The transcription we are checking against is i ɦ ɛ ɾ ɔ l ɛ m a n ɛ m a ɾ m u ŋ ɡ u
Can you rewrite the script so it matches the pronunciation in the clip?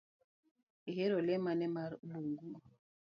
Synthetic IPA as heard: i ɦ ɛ ɾ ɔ l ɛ m a n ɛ m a ɾ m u ŋ ɡ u